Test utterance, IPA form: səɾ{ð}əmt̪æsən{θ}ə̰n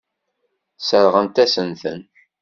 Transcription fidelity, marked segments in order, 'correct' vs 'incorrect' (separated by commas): incorrect, correct